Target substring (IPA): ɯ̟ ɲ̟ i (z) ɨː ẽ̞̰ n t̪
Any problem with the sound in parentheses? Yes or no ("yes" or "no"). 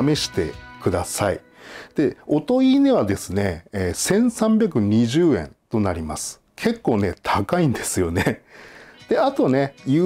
yes